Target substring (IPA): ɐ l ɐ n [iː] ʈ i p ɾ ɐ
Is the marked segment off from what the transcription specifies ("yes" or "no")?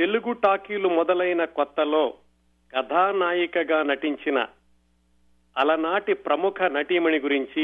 yes